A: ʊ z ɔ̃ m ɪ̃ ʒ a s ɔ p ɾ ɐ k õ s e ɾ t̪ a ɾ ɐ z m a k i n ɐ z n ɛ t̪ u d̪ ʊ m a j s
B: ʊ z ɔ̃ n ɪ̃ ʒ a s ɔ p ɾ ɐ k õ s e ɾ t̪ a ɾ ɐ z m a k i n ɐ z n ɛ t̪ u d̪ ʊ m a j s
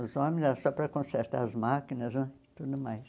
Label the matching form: A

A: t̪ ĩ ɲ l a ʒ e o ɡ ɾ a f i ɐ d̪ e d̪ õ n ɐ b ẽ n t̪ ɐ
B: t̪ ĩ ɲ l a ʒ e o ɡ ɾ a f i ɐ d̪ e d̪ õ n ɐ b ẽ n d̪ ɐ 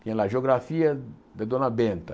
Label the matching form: A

